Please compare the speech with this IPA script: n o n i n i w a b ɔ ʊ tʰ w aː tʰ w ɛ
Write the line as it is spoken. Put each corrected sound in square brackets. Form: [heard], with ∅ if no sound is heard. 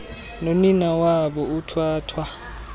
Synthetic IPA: n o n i n [a] w a b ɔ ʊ tʰ w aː tʰ w [a]